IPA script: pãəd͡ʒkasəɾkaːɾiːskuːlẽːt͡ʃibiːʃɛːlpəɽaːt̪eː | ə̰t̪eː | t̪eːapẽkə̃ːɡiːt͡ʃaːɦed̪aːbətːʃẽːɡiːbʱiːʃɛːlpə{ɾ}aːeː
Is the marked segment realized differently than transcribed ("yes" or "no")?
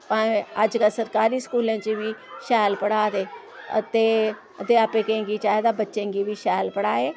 yes